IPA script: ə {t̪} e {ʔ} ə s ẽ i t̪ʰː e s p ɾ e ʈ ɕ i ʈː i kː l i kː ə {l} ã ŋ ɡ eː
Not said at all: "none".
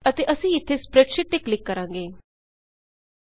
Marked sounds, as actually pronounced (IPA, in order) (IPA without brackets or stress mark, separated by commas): t̪, ʔ, ɾ